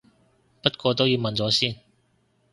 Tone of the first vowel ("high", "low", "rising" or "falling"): high